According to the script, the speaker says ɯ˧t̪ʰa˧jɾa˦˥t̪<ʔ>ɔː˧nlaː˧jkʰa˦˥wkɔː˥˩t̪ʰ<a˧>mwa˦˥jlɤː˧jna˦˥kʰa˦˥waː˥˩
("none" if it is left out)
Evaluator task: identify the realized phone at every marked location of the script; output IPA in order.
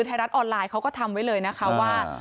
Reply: ʔ, a˧

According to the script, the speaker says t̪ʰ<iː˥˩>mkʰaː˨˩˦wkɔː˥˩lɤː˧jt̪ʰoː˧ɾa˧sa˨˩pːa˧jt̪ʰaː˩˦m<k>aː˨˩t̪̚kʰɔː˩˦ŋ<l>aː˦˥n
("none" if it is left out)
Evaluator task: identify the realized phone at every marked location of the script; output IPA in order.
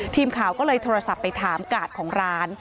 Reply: iː˧, k, ɾ

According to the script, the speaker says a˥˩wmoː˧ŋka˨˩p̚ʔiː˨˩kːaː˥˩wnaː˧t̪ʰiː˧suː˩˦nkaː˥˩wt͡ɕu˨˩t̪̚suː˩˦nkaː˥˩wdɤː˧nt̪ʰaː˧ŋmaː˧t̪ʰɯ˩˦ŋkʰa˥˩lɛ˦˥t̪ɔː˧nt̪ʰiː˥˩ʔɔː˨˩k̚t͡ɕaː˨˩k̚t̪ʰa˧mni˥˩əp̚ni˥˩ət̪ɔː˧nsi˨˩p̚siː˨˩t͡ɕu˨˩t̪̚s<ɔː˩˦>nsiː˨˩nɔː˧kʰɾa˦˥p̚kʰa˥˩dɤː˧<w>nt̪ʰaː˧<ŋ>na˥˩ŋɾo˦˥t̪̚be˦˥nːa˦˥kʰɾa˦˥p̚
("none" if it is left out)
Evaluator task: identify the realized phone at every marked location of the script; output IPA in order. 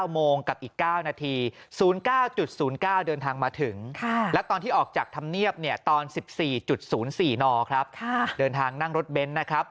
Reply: uː˩˦, none, ŋ

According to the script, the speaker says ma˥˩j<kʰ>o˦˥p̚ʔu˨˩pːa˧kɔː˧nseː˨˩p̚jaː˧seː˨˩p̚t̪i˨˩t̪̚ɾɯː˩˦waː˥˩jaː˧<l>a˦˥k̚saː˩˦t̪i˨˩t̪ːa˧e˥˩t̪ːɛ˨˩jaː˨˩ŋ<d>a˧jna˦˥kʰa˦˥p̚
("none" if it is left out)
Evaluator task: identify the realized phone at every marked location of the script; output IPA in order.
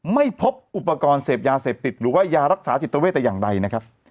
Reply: pʰ, ɾ, d

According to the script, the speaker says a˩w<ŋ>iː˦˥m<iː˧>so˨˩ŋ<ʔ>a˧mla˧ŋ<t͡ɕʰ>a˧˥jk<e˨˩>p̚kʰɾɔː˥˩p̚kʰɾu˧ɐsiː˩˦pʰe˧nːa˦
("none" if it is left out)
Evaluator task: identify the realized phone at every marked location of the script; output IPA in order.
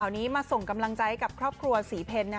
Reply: n, aː˧, k, t͡ɕ, a˨˩

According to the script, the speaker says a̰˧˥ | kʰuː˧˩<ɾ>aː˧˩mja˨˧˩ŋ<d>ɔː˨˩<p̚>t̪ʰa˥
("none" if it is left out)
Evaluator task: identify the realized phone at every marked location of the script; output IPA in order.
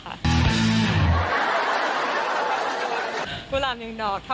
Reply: l, d, k̚

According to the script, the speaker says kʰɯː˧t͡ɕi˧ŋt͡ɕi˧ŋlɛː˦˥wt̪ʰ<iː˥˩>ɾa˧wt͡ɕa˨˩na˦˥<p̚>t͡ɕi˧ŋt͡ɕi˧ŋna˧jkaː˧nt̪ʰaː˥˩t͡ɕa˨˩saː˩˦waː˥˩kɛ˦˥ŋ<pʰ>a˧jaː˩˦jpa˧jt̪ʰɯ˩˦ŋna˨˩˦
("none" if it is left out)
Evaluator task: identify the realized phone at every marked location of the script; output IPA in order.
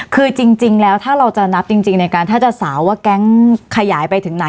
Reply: aː˥˩, p̚, kʰ

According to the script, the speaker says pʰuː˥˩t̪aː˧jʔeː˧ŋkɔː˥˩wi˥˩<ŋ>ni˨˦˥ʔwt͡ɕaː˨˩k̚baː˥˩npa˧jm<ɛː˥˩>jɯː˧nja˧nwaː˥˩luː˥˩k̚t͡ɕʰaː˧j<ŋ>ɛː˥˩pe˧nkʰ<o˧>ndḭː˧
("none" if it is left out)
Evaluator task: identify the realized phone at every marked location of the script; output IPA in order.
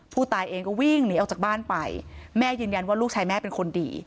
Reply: ŋ, ɛː˥˩, m, o˧

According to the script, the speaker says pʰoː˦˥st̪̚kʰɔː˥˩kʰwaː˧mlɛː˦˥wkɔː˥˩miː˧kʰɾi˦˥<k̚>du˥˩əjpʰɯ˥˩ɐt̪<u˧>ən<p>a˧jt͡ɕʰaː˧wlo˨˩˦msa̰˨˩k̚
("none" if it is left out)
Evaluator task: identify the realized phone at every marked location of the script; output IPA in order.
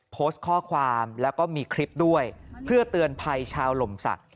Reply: p̚, ɯ˧, pʰ

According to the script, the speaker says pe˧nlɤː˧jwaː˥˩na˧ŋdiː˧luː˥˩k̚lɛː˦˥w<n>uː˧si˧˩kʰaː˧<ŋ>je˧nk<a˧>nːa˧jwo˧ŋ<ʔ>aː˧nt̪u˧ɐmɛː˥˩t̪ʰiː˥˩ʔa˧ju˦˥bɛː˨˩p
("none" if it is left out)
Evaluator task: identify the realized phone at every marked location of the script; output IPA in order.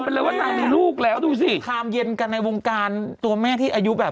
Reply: d, m, a˧, k

